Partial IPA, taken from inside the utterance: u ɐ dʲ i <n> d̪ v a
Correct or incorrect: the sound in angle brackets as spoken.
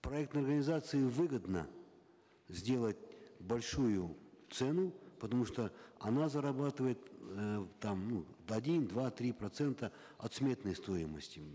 correct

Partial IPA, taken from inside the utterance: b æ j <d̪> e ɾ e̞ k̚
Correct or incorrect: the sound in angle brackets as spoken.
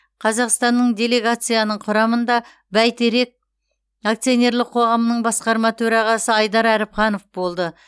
incorrect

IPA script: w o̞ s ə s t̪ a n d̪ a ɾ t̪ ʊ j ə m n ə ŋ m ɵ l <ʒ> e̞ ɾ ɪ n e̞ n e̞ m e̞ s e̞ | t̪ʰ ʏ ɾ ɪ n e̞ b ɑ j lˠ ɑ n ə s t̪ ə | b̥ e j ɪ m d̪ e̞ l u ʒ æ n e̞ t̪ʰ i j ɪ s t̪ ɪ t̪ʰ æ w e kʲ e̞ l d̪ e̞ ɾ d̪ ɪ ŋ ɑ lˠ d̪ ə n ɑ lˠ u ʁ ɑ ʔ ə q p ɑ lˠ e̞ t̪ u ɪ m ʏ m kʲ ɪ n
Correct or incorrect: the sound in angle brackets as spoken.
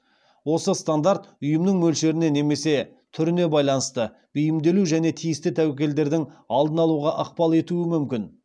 incorrect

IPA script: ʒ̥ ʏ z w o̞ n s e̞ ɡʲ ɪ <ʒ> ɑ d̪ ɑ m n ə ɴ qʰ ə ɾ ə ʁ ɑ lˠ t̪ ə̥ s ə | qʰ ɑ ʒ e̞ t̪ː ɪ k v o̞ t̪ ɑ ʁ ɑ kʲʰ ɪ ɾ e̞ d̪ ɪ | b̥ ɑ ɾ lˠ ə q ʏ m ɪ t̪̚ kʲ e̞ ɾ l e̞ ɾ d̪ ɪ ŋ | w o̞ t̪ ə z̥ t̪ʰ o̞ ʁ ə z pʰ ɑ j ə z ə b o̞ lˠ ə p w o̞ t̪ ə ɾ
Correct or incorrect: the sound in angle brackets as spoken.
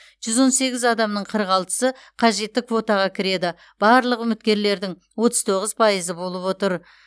incorrect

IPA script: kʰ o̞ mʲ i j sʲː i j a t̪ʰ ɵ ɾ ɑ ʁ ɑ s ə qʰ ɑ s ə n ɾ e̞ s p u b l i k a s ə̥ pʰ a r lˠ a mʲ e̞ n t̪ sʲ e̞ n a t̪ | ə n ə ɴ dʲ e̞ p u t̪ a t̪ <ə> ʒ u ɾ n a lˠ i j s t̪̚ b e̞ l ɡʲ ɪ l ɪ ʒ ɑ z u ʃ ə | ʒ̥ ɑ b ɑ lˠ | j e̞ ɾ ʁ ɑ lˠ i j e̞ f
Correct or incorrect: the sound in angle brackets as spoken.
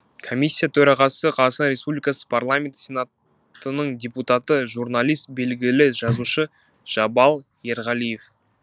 correct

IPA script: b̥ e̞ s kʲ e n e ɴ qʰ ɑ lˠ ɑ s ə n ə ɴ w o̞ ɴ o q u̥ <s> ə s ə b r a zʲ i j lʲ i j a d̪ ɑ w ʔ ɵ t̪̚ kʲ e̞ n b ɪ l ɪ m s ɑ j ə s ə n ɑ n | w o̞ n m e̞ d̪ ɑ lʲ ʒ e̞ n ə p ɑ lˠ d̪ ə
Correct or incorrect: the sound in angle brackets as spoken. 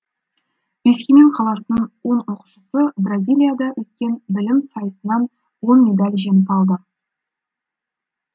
incorrect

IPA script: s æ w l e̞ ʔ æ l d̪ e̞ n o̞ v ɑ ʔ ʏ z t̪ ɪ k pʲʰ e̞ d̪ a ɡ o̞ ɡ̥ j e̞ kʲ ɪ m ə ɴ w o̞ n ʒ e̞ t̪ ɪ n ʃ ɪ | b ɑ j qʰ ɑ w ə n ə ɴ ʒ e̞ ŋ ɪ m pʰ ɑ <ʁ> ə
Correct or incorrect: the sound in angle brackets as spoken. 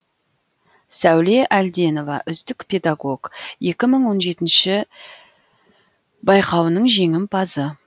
incorrect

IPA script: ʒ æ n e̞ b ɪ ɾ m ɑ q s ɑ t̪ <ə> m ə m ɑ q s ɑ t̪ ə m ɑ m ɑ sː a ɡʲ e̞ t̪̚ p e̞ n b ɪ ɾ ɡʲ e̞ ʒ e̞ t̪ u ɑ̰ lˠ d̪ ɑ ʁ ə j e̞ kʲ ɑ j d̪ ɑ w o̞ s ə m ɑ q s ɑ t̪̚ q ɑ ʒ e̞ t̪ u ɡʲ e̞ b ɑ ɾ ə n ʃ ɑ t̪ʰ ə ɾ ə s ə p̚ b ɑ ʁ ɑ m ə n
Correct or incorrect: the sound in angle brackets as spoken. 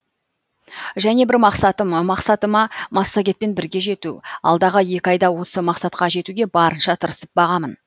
correct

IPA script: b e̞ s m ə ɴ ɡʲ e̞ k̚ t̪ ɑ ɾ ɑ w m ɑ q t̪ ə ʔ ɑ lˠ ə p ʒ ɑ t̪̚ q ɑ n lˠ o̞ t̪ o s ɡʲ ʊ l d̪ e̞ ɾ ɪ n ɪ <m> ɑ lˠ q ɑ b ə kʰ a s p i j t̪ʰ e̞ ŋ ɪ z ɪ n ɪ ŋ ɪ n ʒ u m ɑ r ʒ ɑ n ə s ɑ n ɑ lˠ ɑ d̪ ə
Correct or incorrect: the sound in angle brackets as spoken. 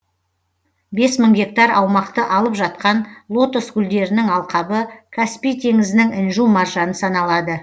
incorrect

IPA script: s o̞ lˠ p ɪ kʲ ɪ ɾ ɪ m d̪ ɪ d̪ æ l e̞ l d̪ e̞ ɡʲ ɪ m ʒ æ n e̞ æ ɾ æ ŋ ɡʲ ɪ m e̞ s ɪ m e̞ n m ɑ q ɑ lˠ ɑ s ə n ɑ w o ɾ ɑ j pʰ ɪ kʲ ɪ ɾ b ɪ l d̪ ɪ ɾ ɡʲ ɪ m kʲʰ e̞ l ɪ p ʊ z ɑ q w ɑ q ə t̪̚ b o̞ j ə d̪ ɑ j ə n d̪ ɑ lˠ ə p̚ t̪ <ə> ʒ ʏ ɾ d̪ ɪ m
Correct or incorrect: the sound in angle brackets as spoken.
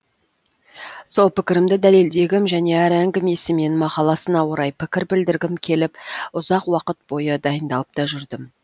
incorrect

